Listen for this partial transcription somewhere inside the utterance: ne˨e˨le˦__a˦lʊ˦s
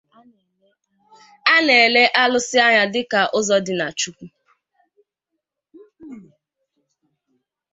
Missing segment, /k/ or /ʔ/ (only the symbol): ʔ